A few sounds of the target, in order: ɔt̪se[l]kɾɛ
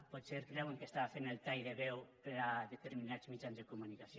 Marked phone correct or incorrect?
incorrect